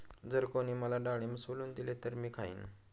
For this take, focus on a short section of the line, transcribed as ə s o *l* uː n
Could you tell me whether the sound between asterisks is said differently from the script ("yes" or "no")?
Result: no